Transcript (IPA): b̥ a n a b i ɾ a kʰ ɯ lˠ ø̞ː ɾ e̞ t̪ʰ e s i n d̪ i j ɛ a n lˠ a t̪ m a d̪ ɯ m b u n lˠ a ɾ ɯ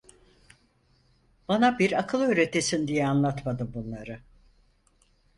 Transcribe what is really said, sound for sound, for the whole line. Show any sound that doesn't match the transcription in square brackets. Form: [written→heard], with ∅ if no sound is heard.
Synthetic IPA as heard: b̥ a n a b i ɾ a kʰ ɯ lˠ ø̞ː ɾ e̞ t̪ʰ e s i n d̪ i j ɛ a n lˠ a t̪ m a d̪ ɯ m b u n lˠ a ɾ ɯ